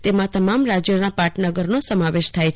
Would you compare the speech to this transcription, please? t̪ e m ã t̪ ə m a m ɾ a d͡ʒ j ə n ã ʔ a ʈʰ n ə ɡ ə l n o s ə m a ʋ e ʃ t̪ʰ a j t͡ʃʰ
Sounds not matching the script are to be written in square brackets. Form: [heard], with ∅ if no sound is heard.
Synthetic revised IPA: t̪ e m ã t̪ ə m a m ɾ a d͡ʒ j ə n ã [p] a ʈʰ n ə ɡ ə [ɾ] n o s ə m a ʋ e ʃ t̪ʰ a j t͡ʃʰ